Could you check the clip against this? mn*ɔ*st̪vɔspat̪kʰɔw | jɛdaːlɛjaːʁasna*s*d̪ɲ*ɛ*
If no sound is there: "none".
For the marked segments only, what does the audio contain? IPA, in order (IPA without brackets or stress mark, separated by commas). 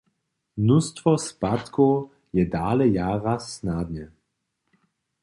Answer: u, none, ɛ